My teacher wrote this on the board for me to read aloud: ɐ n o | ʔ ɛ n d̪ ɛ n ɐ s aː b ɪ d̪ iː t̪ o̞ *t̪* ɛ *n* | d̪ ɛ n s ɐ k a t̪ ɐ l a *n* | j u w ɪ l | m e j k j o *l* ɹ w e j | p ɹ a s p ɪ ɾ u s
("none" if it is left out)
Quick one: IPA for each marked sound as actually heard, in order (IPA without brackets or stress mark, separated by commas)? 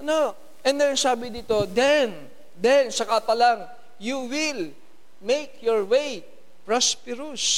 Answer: d̪, n, ŋ, none